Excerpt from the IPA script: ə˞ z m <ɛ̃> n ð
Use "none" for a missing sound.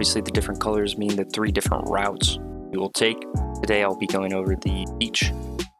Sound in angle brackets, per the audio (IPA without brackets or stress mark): ĩ